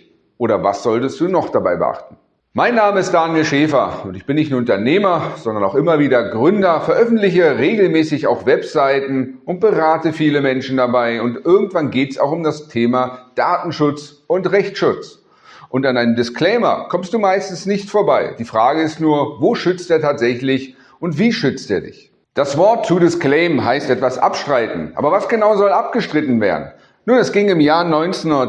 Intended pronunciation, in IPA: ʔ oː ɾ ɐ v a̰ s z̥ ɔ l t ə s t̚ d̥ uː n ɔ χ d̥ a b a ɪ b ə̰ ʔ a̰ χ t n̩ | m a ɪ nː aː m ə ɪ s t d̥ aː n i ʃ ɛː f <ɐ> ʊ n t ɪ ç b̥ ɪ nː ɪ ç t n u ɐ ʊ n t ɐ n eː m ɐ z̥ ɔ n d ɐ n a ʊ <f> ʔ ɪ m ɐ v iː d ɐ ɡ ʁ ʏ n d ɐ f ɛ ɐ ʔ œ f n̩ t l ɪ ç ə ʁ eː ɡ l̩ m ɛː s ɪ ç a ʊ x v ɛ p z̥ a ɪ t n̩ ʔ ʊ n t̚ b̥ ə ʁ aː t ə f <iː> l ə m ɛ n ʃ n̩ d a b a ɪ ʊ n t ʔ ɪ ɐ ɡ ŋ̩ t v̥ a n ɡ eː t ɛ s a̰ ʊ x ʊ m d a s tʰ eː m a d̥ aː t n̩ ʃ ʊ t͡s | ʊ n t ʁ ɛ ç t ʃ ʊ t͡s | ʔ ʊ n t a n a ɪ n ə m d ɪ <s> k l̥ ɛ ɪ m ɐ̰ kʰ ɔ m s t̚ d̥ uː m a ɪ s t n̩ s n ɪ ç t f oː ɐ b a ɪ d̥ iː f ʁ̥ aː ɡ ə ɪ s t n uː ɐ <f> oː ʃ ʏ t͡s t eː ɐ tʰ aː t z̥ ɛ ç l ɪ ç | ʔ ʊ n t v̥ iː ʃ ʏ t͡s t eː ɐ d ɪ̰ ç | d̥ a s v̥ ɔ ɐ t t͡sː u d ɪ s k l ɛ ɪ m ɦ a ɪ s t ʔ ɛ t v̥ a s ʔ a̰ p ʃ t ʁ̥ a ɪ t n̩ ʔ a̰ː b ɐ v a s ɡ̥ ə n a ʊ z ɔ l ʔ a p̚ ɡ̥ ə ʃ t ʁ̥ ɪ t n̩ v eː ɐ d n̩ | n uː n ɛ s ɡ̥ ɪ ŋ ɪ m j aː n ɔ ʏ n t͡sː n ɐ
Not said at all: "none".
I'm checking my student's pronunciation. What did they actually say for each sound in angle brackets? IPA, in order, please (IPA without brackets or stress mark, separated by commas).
ɐ, x, iː, s, v